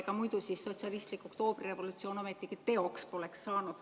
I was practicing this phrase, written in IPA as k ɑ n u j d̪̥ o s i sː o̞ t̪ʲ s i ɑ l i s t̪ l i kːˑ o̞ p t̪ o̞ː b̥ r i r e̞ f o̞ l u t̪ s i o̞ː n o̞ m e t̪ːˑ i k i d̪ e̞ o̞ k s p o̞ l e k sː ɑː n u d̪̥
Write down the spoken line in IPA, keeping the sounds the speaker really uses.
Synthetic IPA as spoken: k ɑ m u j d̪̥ u s i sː o̞ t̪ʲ s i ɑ l i s t̪ l i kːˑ o̞ k t̪ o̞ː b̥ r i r e̞ v o̞ l u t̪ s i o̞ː n o̞ m e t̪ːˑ i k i t̪ e̞ o̞ k s p o̞ l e k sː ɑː n u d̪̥